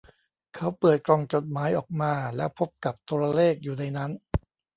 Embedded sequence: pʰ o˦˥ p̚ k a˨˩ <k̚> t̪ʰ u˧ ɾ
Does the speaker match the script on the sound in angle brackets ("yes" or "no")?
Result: no